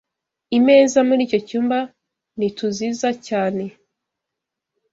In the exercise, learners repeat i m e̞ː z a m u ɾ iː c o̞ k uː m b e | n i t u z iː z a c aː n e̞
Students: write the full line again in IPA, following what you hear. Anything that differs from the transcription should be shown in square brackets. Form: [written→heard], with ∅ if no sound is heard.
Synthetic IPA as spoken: i m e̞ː z a m u ɾ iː c o̞ [k→c] uː m b [e→a] | n i t u z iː z a c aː n e̞